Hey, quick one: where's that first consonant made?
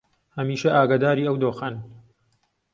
throat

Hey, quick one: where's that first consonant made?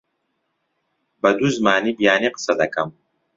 lips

